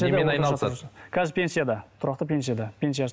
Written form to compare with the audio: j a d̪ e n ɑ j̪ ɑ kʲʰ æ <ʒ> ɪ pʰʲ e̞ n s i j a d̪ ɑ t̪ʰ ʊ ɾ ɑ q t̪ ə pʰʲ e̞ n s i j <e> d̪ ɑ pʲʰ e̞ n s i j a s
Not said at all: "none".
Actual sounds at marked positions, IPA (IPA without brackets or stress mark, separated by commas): z, a